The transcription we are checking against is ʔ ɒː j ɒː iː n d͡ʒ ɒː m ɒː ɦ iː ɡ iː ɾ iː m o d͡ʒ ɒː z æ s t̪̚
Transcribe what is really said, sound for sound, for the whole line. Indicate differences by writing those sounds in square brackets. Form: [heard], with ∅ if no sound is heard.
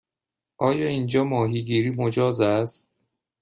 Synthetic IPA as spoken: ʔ ɒː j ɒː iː n d͡ʒ ɒː m ɒː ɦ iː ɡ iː ɾ iː m o d͡ʒ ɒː z æ s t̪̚